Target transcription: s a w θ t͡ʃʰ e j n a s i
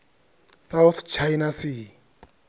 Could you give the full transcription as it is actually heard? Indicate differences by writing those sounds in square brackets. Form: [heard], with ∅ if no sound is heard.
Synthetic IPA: s a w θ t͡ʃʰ [a] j n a s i